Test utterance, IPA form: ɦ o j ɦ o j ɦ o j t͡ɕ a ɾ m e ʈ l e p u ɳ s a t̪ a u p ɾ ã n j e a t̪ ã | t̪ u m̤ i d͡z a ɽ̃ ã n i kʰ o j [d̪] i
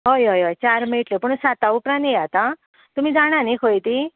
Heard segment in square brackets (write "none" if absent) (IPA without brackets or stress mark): t̪